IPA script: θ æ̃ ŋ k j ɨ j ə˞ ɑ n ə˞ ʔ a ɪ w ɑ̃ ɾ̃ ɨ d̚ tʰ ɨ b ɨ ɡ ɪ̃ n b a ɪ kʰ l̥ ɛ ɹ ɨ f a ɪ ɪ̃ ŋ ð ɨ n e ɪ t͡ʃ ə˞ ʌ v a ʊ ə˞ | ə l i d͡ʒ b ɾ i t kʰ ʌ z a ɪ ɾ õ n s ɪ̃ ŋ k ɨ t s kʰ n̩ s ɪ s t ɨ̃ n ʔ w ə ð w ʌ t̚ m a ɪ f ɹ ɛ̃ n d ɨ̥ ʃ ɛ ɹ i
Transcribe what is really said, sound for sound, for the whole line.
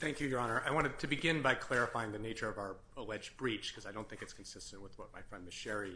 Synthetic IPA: θ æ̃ ŋ k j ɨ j ə˞ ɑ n ə˞ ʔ a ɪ w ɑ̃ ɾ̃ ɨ d̚ tʰ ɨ b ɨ ɡ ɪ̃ n b a ɪ kʰ l̥ ɛ ɹ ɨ f a ɪ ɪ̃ ŋ ð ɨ n e ɪ t͡ʃ ə˞ ʌ v a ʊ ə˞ | ə l ɛ d͡ʒ b ɹ i t͡ʃ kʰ ʌ z a ɪ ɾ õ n θ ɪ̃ ŋ k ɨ t s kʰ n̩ s ɪ s t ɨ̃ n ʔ w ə ð w ʌ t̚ m a ɪ f ɹ ɛ̃ n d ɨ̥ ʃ ɛ ɹ i